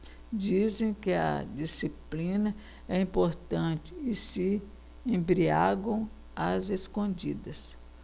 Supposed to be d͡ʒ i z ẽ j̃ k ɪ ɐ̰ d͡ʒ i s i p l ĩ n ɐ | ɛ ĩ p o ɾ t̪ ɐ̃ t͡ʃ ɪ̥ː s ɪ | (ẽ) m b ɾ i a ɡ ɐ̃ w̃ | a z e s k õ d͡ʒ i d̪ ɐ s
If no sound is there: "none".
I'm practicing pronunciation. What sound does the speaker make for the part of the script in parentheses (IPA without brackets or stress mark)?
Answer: ẽ